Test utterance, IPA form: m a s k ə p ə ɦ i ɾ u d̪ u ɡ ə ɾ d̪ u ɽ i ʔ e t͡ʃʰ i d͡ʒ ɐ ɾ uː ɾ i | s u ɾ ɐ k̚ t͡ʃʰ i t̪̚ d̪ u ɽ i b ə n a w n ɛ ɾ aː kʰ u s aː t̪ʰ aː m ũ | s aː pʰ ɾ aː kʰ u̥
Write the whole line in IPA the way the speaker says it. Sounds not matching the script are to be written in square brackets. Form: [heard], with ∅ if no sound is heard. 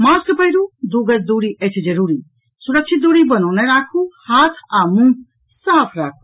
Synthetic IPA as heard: m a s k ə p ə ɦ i ɾ u d̪ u ɡ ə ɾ d̪ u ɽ i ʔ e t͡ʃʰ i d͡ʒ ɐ ɾ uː ɾ i | s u ɾ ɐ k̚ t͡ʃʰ i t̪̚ d̪ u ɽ i b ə n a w n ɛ ɾ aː kʰ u [h] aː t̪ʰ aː m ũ | s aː pʰ ɾ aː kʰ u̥

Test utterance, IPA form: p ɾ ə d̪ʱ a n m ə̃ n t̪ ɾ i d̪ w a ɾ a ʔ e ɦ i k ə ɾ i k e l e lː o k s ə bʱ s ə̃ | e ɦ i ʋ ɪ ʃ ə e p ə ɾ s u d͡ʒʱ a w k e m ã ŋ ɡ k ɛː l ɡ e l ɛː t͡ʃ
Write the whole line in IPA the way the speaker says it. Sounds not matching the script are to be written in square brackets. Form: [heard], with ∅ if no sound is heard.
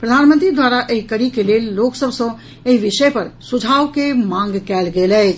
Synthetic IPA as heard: p ɾ ə d̪ʱ a n m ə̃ n t̪ ɾ i d̪ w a ɾ a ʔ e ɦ i k ə ɾ i k e l e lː o k s ə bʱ s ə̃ | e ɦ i ʋ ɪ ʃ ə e p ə ɾ s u d͡ʒʱ a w k e m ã ŋ ɡ k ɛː l ɡ e l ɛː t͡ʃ

